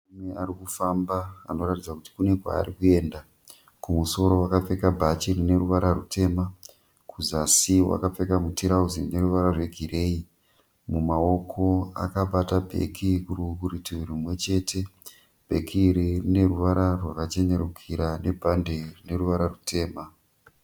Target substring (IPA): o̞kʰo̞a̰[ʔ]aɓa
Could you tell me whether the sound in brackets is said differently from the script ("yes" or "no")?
yes